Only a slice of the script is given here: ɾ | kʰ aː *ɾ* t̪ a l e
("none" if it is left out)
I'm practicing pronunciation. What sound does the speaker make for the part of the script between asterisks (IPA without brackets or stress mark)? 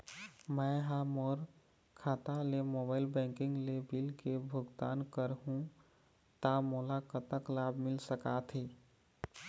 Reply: none